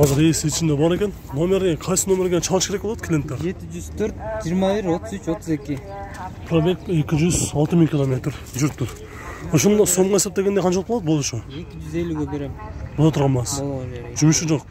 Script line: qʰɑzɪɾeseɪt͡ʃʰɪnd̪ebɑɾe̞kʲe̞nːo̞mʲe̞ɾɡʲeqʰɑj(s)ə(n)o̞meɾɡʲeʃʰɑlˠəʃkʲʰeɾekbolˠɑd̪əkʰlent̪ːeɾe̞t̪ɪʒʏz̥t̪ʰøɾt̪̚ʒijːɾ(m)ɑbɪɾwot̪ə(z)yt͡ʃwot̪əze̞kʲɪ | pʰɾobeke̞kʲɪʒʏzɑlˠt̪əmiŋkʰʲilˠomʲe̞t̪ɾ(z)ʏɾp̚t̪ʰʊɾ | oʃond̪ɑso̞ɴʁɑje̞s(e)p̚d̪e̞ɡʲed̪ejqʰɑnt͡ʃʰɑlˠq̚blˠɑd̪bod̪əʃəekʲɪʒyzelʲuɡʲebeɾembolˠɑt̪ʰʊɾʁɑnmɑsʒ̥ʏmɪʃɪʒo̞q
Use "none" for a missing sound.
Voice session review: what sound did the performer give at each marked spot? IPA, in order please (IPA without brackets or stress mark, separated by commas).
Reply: s, n, m, z, ʒ, e